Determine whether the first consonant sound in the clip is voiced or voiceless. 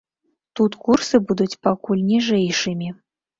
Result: voiceless